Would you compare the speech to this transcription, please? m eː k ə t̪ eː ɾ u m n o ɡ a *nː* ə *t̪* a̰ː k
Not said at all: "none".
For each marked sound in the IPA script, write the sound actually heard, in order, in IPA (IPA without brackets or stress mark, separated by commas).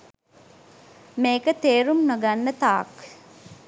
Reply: nː, t̪